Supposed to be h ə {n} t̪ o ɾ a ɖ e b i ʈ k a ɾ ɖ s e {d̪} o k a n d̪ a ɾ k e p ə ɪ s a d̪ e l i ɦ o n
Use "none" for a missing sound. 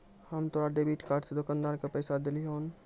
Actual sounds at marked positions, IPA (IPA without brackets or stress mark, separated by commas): m, d̪